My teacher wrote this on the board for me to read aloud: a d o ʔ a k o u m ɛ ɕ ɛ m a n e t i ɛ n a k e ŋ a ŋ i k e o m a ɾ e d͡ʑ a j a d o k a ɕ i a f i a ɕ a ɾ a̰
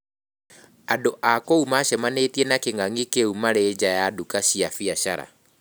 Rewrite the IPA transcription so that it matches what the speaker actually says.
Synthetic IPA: a d o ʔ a k o u m a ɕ ɛ m a n e t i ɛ n a k e ŋ a ŋ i k e u m a ɾ e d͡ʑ a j a d u k a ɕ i a f i a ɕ a ɾ a̰